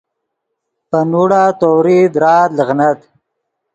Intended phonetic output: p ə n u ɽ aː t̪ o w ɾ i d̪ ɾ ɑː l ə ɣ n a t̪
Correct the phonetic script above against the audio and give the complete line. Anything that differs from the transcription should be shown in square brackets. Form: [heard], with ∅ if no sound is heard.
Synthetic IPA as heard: p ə n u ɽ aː t̪ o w ɾ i d̪ ɾ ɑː l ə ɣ n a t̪

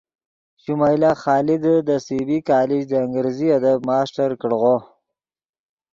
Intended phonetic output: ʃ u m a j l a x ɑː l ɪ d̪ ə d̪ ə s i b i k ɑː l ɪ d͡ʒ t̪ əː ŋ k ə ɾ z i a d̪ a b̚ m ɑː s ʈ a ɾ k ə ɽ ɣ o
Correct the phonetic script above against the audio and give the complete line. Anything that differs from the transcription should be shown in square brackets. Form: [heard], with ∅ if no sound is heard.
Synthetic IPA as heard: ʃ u m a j l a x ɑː l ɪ d̪ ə d̪ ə s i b i k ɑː l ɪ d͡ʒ [d̪] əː ŋ [ɡ] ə ɾ z i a d̪ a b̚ m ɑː s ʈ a ɾ k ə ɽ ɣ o

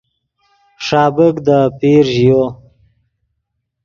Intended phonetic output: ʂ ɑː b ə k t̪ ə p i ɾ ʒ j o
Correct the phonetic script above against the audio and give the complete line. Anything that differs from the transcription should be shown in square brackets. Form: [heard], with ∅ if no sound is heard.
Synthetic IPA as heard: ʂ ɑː b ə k [d̪] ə p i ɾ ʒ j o

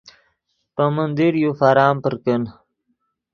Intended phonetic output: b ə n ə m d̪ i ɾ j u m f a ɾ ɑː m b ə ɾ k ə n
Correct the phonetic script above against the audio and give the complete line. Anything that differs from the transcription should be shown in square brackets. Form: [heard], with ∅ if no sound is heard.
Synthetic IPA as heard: [p] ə [m] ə [n] d̪ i ɾ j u [∅] f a ɾ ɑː m [p] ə ɾ k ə n

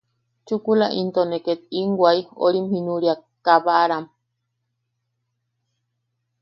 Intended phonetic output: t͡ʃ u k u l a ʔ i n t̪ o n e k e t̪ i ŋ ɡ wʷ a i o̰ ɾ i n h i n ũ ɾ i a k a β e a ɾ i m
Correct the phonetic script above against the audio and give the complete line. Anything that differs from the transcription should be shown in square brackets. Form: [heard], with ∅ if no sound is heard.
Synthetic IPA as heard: t͡ʃ u k u l a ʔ i n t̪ o n e k e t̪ i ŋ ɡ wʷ a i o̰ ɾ i [m] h i n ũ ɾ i a k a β [a] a ɾ [a] m

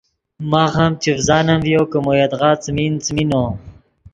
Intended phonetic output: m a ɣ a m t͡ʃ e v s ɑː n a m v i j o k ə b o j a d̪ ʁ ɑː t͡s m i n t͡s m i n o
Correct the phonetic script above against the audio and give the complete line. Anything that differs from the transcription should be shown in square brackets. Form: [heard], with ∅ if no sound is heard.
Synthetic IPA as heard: m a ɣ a m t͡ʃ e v [z] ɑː n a m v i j o k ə [m] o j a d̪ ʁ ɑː t͡s m i n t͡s m i n o

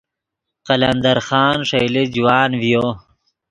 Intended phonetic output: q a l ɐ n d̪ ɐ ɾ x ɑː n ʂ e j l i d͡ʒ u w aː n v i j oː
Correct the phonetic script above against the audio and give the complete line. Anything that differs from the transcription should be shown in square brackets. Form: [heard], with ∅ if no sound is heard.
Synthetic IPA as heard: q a l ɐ n d̪ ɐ ɾ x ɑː n ʂ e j l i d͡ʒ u w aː n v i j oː

